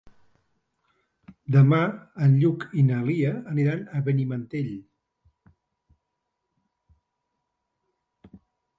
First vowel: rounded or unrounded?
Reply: unrounded